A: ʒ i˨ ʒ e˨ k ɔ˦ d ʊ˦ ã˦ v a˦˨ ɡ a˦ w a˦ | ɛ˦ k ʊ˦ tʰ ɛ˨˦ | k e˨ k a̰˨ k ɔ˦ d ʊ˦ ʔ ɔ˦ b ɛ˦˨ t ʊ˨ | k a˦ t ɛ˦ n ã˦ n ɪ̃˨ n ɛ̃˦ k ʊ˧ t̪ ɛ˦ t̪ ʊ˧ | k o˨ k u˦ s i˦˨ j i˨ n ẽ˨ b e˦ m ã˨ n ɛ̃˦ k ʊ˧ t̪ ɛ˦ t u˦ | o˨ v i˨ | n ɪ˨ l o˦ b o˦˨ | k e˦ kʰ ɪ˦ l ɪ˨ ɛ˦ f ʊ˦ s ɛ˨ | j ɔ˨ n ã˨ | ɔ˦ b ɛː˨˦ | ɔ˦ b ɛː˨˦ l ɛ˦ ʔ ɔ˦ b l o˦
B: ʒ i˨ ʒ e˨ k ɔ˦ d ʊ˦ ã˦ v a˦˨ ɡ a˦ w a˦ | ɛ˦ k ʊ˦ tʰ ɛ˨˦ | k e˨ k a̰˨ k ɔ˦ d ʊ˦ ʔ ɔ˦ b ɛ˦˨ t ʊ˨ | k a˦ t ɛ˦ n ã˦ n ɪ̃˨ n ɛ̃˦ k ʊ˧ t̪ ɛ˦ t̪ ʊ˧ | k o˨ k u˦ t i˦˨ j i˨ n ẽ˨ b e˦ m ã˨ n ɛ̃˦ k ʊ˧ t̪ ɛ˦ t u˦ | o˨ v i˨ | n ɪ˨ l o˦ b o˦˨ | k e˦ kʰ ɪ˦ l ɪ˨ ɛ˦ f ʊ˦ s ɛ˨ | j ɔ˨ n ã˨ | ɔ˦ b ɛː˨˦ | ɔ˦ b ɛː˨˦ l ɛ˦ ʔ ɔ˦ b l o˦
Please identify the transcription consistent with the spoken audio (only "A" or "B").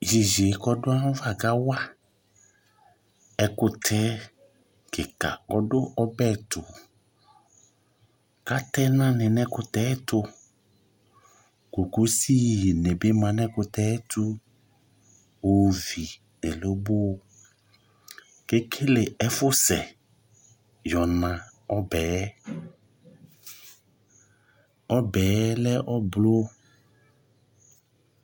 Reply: A